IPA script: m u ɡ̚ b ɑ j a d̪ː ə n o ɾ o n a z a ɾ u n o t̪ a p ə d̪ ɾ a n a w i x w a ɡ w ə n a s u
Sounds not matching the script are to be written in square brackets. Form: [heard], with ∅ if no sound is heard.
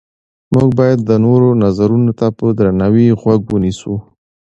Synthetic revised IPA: m u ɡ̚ b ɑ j a d̪ː ə n o ɾ o n a z a ɾ u n o t̪ a p ə d̪ ɾ a n a w i [ɣ] w a ɡ w ə n [i] s u

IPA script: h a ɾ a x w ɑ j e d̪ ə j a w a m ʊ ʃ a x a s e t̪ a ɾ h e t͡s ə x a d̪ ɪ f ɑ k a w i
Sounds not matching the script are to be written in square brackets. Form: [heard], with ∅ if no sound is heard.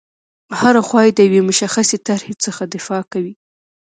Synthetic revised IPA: h a ɾ a x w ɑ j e d̪ ə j a w [e] m ʊ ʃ a x a s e t̪ a ɾ h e t͡s ə x a d̪ ɪ f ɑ k a w i

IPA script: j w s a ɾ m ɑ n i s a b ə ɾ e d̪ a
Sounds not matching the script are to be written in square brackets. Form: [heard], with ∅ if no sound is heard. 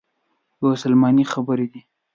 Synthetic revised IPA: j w s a [l] m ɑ n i [x] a b ə ɾ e d̪ [i]

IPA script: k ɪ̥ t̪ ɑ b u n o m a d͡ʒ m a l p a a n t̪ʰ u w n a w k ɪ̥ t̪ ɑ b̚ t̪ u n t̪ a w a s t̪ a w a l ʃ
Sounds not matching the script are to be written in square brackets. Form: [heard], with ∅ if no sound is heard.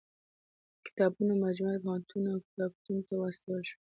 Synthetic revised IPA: k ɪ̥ t̪ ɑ b u n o m a d͡ʒ m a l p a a n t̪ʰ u [∅] n a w k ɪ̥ t̪ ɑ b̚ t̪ u n t̪ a w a s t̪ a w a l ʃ

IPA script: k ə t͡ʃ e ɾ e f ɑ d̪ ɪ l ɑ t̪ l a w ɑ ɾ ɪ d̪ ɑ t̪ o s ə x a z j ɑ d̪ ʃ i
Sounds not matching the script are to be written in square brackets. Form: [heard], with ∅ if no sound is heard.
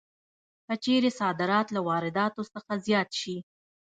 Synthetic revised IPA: k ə t͡ʃ e ɾ e [s] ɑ d̪ ɪ [ɾ] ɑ t̪ l a w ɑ ɾ ɪ d̪ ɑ t̪ o s ə x a z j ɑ [t̪] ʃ i

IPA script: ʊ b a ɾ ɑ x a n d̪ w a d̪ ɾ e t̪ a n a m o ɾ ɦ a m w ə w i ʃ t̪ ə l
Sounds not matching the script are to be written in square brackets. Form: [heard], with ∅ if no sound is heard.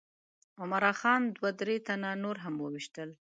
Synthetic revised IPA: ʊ [m] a ɾ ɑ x [ɑ] n d̪ w a d̪ ɾ e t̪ a n a [n] o ɾ ɦ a m w ə w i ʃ t̪ ə l

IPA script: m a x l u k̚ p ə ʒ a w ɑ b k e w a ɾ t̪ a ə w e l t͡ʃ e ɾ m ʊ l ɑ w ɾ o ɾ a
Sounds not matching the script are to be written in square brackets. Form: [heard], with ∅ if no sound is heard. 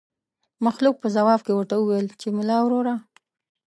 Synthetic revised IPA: m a x l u k̚ p ə [z] a w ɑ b k e w [ə] ɾ t̪ a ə w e l t͡ʃ e [∅] m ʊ l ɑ w ɾ o ɾ a

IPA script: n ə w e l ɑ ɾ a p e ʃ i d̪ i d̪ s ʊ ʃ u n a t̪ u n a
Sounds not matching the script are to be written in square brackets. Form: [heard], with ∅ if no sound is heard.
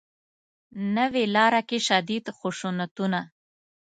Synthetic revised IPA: n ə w e l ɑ ɾ a [k] e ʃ [a] d̪ i d̪ [x] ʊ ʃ u n a t̪ u n a

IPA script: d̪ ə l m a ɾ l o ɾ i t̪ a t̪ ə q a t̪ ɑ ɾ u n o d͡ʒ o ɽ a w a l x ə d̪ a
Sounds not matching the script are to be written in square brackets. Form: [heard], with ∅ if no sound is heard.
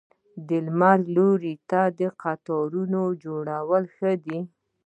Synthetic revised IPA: d̪ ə l m a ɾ l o ɾ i t̪ a [d̪] ə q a t̪ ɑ ɾ u n o d͡ʒ o ɽ a w [ə] l x ə d̪ [i]

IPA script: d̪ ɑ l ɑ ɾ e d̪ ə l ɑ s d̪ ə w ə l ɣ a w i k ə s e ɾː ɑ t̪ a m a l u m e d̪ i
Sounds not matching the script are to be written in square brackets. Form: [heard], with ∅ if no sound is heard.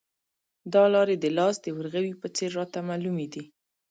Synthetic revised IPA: d̪ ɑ l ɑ ɾ e d̪ ə l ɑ s d̪ ə w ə [ɾ] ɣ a w i [p] ə [t͡s] e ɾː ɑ t̪ a m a l u m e d̪ i

